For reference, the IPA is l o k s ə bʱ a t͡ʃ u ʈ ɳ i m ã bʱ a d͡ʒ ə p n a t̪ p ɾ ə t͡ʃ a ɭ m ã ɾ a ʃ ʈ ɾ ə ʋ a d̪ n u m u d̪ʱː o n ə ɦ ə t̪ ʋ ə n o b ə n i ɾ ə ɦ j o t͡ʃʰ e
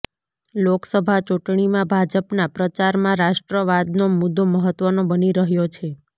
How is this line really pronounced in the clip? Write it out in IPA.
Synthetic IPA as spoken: l o k s ə bʱ a t͡ʃ u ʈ ɳ i m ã bʱ a d͡ʒ ə p n a p ɾ ə t͡ʃ a ɾ m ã ɾ a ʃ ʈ ɾ ə ʋ a d̪ n o m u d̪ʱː o m ə ɦ ə t̪ ʋ ə n o b ə n i ɾ ə ɦ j o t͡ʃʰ e